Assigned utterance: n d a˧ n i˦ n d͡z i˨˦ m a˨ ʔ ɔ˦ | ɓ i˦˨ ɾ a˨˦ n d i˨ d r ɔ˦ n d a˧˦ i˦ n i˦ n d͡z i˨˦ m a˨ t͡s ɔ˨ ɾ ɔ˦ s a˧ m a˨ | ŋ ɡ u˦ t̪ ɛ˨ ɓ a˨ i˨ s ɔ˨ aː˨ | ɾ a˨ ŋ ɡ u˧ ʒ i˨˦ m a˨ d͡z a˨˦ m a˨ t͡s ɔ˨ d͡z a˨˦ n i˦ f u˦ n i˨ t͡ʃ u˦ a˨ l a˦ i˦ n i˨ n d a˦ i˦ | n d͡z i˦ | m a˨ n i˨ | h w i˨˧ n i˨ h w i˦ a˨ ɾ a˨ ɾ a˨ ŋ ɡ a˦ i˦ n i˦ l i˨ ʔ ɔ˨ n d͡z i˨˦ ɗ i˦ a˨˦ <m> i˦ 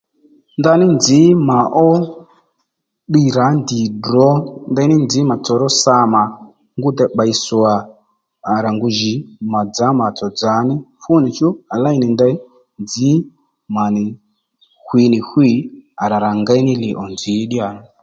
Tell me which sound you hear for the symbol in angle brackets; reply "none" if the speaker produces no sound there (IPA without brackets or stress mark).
n